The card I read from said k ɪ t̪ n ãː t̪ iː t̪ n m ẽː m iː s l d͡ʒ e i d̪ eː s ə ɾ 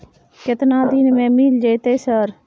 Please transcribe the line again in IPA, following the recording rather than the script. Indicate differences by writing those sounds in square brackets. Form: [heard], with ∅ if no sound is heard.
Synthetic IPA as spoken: k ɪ t̪ n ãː [d̪] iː [∅] n m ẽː m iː [∅] l d͡ʒ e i [t̪] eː s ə ɾ